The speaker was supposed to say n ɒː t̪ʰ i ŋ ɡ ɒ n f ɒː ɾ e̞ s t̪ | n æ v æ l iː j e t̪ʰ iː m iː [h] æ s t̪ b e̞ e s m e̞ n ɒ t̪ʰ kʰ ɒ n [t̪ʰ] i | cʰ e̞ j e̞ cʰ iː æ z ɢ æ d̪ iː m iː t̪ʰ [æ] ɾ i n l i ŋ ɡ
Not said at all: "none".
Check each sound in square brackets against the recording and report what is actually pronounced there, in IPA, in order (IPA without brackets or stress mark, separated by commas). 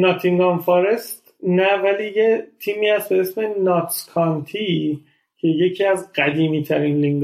h, t̪ʰ, æ